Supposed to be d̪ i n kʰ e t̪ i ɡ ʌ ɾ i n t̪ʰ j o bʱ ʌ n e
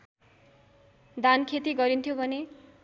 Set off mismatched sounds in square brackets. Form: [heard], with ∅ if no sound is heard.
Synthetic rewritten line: d̪ [a] n kʰ e t̪ i ɡ ʌ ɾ i n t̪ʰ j o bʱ ʌ n e